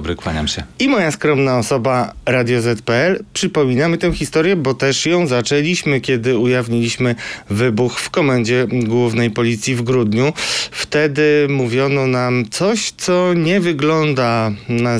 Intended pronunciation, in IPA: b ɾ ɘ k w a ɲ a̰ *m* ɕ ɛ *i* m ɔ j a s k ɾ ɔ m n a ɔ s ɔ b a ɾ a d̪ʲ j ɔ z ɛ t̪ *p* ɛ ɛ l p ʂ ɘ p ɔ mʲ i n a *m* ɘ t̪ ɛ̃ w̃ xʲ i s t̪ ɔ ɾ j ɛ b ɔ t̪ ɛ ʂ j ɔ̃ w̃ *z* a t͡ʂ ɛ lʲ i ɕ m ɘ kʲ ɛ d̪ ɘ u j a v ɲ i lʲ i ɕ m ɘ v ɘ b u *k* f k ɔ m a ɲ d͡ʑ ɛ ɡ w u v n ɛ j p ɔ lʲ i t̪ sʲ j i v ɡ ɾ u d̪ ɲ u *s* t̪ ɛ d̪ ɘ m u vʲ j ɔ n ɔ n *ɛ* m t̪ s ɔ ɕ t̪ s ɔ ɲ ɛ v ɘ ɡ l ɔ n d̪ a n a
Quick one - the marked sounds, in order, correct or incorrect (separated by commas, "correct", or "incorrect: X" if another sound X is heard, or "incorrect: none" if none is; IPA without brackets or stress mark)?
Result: correct, correct, correct, correct, correct, incorrect: x, incorrect: f, incorrect: a